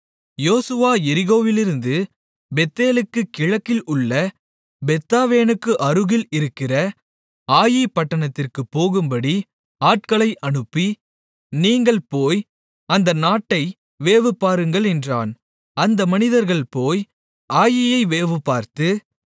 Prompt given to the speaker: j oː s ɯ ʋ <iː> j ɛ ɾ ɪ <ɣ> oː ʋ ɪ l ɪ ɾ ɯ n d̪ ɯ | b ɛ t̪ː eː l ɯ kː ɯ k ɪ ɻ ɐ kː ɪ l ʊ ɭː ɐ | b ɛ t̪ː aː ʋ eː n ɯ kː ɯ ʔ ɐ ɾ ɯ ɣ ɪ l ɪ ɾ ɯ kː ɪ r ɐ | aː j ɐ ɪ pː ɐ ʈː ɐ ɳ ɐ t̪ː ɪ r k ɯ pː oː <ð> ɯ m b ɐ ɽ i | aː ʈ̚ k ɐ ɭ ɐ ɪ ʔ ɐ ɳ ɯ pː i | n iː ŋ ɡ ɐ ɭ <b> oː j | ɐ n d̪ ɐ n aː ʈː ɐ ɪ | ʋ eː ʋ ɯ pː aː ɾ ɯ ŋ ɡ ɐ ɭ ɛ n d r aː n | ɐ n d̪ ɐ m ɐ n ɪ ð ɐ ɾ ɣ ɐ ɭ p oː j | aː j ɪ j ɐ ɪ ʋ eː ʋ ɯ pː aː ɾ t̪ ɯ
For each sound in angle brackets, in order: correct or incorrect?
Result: incorrect, correct, incorrect, incorrect

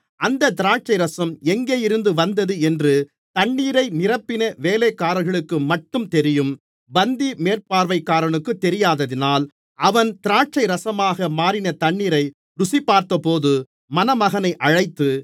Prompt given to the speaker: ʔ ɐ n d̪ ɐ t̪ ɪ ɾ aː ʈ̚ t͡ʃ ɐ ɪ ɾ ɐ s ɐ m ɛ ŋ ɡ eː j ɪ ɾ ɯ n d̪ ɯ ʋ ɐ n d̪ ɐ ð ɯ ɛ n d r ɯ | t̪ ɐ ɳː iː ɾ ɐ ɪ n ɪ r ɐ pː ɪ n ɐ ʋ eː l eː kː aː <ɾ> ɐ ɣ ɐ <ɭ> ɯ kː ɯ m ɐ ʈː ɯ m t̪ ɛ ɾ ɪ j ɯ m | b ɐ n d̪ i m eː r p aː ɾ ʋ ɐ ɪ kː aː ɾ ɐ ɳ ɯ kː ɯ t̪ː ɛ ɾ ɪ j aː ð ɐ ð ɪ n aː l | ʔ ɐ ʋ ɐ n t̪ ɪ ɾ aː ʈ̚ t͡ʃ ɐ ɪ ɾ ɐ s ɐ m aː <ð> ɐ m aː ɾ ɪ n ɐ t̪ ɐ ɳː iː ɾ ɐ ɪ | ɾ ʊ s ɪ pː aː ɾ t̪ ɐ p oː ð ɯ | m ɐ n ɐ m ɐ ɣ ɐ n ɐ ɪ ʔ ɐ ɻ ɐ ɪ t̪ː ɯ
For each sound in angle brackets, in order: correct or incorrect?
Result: correct, correct, incorrect

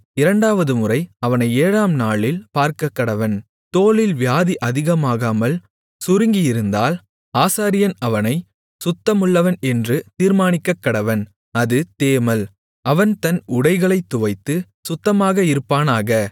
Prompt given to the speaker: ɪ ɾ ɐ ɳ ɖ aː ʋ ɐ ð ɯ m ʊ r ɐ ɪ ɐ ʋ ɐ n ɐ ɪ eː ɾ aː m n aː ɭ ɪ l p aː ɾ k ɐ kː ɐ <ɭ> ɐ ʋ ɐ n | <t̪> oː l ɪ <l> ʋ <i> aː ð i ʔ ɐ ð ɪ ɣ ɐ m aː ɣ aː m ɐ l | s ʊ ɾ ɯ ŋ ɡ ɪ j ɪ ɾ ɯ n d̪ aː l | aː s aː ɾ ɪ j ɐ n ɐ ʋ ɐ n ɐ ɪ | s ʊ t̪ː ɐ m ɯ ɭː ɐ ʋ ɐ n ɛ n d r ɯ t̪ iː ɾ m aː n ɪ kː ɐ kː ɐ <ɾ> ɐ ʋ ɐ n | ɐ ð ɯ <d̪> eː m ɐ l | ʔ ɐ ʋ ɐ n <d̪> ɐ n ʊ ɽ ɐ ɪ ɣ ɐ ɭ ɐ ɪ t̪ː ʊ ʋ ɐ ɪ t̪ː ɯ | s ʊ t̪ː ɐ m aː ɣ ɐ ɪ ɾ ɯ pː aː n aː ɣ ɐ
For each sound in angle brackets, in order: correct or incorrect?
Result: incorrect, correct, correct, incorrect, incorrect, incorrect, incorrect

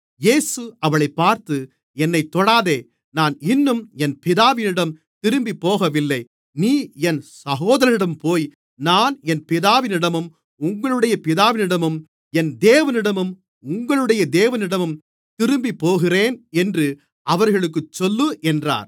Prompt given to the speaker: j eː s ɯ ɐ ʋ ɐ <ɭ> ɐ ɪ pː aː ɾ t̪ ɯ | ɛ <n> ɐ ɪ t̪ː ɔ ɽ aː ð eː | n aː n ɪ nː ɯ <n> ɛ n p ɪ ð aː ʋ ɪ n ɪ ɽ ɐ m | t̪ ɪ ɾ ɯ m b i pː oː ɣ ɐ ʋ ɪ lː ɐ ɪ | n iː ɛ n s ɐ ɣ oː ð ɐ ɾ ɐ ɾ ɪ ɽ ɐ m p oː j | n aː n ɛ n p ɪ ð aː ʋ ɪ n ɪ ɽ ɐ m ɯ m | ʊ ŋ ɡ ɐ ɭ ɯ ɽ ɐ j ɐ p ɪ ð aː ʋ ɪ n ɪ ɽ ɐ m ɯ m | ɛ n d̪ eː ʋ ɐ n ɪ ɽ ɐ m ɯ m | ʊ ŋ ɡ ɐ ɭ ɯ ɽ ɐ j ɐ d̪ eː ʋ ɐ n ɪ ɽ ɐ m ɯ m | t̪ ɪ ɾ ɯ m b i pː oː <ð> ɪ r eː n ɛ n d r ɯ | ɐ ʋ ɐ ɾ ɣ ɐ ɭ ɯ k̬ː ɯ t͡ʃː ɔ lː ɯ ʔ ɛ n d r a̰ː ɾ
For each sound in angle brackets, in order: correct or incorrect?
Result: correct, incorrect, incorrect, incorrect

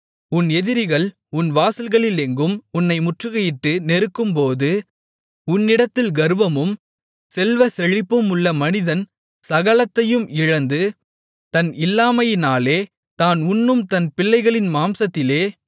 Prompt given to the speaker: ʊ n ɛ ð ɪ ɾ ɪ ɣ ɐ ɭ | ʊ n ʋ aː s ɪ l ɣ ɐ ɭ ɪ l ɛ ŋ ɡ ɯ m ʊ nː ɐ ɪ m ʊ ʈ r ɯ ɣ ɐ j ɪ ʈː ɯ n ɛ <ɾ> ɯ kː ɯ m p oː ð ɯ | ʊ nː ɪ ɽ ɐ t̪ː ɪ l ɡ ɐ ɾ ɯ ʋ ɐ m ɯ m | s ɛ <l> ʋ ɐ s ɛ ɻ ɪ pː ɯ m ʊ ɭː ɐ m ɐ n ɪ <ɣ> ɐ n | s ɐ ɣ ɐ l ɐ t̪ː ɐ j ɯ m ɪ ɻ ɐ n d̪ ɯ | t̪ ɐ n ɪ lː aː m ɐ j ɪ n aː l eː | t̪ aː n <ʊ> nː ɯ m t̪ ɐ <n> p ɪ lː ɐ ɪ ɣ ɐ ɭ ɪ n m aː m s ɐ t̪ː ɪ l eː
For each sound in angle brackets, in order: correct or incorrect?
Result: correct, correct, incorrect, correct, correct

